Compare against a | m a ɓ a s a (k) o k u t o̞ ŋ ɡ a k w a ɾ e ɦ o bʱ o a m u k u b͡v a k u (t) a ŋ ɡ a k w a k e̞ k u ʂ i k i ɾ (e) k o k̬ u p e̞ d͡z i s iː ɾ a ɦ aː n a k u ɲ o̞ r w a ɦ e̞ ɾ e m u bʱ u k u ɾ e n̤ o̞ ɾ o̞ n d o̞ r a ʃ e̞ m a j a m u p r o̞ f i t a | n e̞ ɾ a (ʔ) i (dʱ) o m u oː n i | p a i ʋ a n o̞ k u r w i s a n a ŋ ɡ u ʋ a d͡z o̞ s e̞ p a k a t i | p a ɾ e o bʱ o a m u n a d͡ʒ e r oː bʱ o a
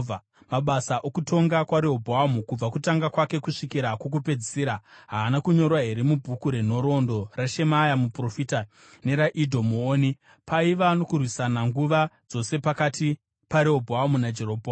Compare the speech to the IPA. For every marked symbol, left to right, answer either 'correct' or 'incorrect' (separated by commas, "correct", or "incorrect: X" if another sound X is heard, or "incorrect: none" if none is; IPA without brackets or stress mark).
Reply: incorrect: ʔ, correct, incorrect: a, correct, correct